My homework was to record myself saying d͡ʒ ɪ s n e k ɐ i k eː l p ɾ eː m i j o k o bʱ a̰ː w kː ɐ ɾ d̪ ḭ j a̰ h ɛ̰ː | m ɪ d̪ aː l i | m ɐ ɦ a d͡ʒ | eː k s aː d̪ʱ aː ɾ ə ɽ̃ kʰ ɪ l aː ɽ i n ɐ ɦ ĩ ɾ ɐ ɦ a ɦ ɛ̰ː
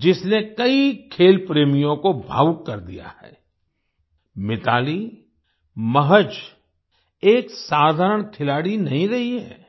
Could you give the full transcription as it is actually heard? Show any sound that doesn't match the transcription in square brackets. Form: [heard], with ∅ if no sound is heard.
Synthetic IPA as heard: d͡ʒ ɪ s n e k ɐ i [kʰ] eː l p ɾ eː m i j [õ] k o bʱ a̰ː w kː ɐ ɾ d̪ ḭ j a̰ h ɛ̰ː | m ɪ [t̪] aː l i | m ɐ ɦ [ə] d͡ʒ | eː k s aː d̪ʱ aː ɾ ə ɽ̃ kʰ ɪ l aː ɽ i n ɐ ɦ ĩ ɾ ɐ ɦ [i] ɦ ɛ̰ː